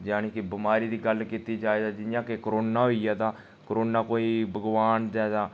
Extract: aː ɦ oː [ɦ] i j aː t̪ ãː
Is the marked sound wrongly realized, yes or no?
yes